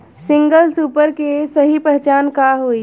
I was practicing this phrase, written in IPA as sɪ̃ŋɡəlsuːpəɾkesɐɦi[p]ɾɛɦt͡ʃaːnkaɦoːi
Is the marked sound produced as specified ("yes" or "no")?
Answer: yes